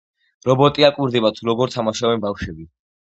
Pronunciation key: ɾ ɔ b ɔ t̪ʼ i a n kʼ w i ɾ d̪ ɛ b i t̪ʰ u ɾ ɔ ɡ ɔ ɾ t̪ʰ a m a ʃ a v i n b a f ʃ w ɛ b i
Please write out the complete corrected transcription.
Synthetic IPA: ɾ ɔ b ɔ t̪ʼ i a kʼ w i ɾ d̪ ɛ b a t̪ʰ u ɾ ɔ ɡ ɔ ɾ t̪ʰ a m a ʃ a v ɛ n b a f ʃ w ɛ b i